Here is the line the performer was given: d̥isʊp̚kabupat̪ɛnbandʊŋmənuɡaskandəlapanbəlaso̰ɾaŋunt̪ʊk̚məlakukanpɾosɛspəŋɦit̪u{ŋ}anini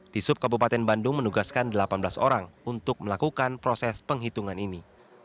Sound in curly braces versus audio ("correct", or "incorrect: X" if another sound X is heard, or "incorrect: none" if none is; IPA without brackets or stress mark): correct